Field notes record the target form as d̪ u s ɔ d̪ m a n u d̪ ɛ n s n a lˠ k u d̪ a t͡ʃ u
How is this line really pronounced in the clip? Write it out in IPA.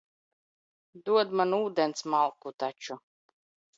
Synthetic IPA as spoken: d̪ u ɔ d̪ m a n uː d̪ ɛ n s m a lˠ k u t̪ a t͡ʃ u